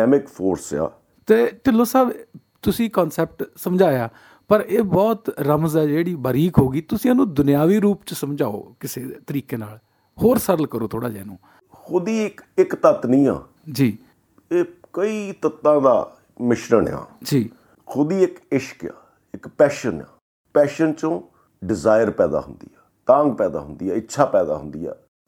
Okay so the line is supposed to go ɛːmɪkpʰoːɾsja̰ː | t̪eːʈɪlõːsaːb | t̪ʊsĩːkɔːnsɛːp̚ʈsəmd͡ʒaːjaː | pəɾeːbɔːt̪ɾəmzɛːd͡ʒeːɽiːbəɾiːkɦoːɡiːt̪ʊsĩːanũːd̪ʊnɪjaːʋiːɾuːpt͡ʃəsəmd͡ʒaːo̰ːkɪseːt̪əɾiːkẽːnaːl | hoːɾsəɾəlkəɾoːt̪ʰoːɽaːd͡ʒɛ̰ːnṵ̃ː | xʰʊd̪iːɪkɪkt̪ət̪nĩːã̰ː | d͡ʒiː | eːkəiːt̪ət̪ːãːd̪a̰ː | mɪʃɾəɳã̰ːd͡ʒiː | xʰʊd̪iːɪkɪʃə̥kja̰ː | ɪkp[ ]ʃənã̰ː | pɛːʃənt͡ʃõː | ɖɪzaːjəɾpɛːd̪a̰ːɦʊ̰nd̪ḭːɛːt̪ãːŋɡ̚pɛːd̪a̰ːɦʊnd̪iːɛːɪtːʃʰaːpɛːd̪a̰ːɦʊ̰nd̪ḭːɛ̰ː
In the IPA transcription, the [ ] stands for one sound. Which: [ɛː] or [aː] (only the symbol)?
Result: ɛː